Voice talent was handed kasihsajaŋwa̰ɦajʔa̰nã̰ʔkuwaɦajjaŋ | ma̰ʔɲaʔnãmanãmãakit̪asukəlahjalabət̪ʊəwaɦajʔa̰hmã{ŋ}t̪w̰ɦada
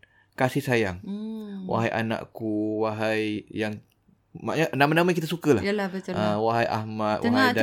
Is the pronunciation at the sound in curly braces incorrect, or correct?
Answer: incorrect